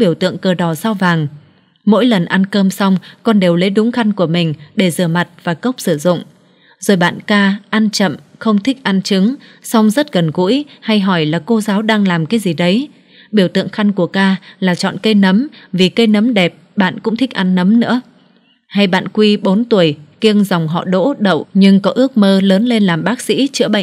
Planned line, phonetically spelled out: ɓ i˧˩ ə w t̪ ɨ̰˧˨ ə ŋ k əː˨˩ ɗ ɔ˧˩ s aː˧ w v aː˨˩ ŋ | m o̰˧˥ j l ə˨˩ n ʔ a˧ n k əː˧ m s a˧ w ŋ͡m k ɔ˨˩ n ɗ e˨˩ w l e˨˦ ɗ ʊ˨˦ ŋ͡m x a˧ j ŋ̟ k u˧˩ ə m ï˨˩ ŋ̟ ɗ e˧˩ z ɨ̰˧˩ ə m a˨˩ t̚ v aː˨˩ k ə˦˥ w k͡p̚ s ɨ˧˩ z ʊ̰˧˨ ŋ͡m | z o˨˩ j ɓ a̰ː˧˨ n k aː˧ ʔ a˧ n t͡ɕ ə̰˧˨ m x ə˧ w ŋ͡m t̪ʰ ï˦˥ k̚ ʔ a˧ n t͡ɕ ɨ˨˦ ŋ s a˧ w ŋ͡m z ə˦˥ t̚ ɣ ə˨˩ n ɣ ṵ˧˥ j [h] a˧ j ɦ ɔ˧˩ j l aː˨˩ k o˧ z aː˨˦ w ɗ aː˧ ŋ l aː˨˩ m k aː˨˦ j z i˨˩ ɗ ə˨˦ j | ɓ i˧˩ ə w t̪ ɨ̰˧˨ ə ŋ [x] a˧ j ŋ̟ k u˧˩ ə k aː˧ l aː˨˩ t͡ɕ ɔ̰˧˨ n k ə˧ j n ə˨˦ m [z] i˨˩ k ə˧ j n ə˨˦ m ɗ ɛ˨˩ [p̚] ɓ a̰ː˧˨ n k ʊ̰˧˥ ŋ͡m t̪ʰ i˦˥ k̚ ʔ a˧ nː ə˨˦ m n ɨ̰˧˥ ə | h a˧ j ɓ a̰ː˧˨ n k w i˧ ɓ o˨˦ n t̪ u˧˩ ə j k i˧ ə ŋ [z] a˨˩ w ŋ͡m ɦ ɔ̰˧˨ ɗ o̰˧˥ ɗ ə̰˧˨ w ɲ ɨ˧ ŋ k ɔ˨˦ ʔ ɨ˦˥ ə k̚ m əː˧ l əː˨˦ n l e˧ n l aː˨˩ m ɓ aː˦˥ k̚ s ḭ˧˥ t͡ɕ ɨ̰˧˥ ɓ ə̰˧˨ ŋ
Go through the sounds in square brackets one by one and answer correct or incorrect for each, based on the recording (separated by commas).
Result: correct, correct, incorrect, correct, correct